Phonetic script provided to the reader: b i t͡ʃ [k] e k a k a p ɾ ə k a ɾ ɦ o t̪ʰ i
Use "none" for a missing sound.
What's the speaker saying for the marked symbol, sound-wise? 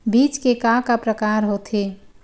k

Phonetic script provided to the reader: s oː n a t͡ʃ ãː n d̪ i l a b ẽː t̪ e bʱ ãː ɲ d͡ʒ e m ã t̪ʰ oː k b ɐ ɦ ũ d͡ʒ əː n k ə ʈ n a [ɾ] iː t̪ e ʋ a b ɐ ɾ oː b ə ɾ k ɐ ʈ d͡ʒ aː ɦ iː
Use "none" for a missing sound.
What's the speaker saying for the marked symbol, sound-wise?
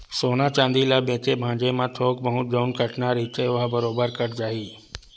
ɾ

